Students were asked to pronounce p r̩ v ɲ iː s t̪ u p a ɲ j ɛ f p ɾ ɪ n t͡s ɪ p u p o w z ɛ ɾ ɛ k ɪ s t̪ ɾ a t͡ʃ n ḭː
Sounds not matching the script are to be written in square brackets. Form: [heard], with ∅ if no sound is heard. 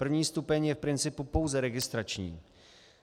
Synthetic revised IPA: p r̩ v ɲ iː s t̪ u p [ɛ] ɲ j ɛ f p ɾ ɪ n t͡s ɪ p u p o w z ɛ ɾ ɛ [ɡ] ɪ s t̪ ɾ a t͡ʃ [ɲ] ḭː